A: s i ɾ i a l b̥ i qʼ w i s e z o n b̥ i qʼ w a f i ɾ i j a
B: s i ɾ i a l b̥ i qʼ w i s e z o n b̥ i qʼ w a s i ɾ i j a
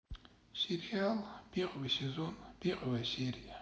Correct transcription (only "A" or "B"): B